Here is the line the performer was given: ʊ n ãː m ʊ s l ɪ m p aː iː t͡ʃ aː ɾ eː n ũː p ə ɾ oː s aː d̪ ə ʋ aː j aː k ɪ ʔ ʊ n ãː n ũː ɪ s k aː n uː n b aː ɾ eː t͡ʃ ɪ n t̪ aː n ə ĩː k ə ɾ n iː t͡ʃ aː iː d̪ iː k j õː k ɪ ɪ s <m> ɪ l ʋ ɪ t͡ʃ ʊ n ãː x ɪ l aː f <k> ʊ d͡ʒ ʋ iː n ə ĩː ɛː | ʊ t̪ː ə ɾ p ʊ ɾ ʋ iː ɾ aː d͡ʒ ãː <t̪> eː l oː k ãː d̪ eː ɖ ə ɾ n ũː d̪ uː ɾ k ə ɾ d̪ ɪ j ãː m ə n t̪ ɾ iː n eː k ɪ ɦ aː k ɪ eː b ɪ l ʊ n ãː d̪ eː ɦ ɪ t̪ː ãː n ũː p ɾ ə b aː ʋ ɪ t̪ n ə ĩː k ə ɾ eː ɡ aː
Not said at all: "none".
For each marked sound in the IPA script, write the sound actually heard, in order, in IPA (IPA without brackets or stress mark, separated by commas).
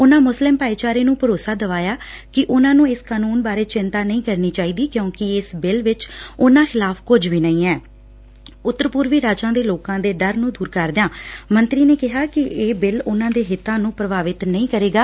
b, k, d̪